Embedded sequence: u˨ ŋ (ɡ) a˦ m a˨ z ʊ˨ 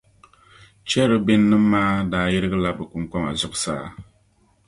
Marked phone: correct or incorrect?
incorrect